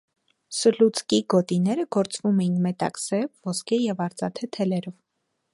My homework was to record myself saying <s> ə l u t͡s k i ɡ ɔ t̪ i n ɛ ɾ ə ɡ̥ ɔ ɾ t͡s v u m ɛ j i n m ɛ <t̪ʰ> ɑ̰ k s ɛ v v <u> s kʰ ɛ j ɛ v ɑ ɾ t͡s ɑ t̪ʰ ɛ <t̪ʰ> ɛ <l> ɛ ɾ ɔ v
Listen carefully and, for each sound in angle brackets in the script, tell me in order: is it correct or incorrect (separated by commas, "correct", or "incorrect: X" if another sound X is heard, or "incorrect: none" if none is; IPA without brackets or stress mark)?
correct, incorrect: t̪, incorrect: ɔ, correct, correct